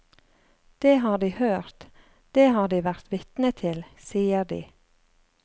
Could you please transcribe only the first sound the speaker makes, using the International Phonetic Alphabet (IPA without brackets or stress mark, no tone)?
d̪̥